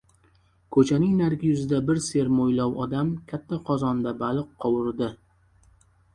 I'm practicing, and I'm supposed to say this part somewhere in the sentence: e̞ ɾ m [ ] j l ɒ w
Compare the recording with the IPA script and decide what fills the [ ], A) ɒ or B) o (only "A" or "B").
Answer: B